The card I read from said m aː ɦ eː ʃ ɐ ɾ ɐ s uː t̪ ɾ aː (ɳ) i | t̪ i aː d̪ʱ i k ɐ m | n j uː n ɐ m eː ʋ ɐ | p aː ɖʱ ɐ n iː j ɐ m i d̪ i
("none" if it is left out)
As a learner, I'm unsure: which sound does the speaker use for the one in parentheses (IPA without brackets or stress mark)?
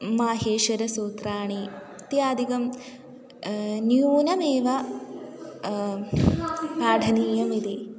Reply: ɳ